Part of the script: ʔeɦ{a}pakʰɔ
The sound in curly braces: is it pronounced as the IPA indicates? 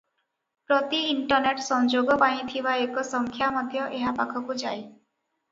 yes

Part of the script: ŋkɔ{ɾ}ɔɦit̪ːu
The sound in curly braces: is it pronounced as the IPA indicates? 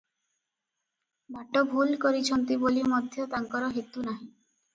yes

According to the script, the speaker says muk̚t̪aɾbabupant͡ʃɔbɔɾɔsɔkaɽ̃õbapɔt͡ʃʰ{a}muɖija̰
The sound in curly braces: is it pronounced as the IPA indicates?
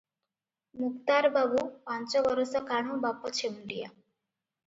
no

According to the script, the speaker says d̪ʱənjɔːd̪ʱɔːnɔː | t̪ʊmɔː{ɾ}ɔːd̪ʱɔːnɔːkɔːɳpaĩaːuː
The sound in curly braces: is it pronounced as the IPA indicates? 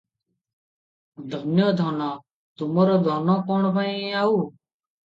yes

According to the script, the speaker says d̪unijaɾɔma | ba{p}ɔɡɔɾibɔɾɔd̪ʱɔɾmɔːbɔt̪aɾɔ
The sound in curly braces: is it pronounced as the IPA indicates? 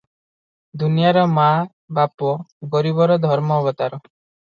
yes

